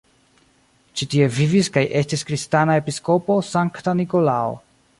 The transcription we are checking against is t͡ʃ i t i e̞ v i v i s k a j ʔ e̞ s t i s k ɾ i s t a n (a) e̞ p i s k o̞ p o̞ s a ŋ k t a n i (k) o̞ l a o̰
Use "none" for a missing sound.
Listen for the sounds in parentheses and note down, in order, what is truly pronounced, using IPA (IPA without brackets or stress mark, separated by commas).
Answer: a, k